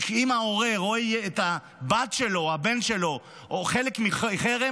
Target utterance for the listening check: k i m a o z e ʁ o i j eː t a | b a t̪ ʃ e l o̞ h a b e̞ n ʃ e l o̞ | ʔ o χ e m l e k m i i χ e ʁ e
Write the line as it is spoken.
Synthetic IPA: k i m a o ʁ e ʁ o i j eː t a | b a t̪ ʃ e l o̞ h a b e̞ n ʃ e l o̞ | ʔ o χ e l e k m i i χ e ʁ e